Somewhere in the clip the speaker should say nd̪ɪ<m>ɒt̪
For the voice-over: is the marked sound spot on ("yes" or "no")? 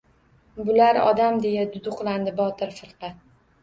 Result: no